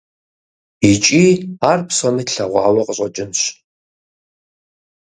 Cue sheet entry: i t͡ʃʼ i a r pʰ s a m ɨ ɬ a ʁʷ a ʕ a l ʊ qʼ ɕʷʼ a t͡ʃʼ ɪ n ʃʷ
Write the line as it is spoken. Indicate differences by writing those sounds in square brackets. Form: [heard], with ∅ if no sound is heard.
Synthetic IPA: i t͡ʃʼ i a r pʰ s a [n] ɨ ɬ a ʁʷ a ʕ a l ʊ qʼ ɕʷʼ a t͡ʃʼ ɪ n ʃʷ